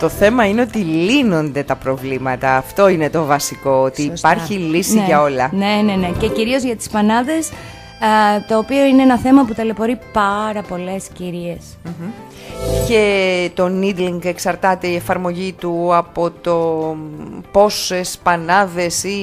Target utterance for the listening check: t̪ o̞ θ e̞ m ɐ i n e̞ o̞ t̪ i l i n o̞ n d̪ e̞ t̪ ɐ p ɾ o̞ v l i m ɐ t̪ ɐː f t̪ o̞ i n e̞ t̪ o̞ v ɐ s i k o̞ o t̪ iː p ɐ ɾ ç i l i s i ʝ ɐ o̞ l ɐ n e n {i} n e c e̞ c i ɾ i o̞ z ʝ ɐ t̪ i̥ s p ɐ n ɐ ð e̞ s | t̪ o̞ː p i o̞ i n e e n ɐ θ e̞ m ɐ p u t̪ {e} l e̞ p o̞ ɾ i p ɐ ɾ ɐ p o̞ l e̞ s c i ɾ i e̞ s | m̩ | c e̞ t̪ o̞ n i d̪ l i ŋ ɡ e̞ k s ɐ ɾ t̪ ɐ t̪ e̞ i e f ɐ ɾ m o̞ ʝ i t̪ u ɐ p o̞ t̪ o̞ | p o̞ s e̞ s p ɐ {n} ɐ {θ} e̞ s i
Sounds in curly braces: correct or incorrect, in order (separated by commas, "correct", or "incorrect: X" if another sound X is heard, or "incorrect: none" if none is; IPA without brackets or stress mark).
incorrect: e, correct, correct, incorrect: ð